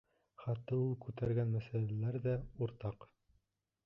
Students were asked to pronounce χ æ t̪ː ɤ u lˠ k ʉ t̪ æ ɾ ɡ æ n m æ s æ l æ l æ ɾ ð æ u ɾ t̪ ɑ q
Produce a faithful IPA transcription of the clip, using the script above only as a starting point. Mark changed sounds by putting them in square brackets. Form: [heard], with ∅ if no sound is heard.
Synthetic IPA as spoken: χ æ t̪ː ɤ u lˠ k ʉ t̪ æ ɾ ɡ æ n m æ s æ l æ l æ ɾ ð æ u ɾ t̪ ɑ q